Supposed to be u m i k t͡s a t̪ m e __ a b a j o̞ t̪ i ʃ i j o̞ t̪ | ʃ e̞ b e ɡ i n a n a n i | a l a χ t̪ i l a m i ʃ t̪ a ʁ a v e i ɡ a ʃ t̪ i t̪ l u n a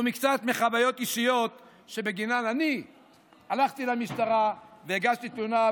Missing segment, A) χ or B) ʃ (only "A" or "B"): A